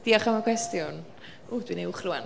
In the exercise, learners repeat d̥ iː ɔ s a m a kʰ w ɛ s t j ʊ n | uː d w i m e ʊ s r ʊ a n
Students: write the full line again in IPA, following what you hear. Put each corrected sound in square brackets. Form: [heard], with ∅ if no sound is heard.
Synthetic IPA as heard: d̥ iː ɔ [χ] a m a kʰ w ɛ s t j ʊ n | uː d w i [n] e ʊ [χ] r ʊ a n